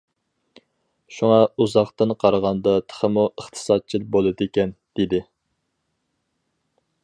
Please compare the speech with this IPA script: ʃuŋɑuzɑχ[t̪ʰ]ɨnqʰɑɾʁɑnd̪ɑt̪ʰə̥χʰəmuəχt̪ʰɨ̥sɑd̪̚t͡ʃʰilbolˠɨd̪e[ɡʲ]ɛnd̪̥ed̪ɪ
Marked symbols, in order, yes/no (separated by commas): no, no